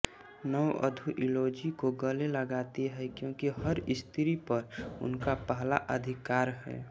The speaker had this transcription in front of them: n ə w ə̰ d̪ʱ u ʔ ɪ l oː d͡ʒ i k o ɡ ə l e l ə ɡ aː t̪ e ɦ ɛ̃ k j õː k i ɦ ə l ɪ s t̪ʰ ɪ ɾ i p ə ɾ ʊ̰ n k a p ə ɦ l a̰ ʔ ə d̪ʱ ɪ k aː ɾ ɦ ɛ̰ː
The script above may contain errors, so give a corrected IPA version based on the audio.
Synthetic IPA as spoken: n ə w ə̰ d̪ʱ u ʔ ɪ l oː d͡ʒ i k o ɡ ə l e l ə ɡ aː t̪ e ɦ ɛ k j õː k i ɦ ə ɾ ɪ s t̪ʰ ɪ ɾ i p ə ɾ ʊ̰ n k a p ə ɦ l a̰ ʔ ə d̪ʱ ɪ k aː ɾ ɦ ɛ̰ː